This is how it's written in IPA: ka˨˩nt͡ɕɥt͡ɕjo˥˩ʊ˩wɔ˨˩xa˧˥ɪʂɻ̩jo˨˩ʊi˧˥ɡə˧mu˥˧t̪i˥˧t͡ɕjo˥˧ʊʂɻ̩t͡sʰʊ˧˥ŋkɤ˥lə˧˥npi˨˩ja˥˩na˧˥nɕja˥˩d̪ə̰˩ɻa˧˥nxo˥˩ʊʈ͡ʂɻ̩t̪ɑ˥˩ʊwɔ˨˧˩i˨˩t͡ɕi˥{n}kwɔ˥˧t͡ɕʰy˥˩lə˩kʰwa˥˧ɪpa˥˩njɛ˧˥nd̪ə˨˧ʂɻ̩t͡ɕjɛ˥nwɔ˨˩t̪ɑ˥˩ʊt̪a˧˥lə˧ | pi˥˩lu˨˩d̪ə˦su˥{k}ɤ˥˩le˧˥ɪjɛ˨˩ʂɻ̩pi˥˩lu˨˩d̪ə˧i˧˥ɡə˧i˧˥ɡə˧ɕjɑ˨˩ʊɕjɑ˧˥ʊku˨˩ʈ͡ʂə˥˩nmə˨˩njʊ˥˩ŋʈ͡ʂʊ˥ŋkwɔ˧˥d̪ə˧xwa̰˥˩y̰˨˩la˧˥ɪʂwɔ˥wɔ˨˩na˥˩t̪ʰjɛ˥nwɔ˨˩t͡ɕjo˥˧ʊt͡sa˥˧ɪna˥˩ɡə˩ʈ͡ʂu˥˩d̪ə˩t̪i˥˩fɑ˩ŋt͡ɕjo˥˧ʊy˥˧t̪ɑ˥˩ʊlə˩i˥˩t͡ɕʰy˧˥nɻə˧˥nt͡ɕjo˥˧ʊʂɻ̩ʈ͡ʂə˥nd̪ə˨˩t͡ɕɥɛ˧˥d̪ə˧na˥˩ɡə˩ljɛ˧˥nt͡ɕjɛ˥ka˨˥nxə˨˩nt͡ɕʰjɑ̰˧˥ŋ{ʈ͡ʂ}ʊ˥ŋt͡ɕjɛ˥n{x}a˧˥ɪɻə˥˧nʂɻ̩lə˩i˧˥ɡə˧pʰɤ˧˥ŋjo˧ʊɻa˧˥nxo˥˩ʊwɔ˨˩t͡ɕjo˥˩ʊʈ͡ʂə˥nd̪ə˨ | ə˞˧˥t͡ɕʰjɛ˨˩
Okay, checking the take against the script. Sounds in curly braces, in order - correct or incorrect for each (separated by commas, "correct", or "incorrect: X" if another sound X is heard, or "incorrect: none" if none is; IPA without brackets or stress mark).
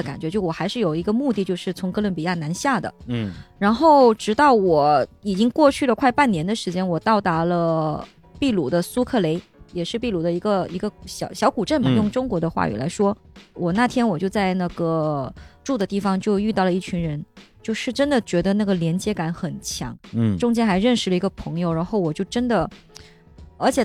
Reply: incorrect: ŋ, incorrect: kʰ, correct, correct